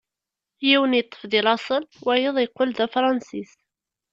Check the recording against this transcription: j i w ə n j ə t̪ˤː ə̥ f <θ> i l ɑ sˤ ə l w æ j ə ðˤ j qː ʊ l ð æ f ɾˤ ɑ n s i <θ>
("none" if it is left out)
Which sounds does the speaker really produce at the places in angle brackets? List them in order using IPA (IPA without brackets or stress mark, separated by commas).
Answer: ð, s